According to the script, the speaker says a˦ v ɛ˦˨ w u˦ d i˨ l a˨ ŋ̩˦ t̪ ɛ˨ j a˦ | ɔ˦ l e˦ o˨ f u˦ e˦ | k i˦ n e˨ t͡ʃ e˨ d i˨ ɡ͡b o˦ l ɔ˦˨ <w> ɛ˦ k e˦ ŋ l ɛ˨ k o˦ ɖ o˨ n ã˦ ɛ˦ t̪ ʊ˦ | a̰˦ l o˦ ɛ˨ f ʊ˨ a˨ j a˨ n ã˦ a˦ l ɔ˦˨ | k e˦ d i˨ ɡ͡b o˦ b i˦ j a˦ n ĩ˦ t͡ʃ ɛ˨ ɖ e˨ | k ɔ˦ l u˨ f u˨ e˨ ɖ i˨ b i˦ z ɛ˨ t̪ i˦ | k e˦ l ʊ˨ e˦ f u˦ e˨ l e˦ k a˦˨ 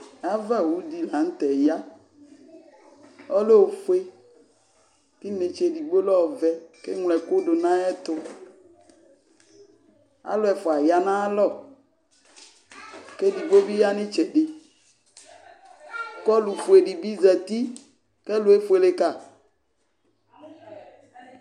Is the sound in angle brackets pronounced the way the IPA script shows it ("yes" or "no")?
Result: no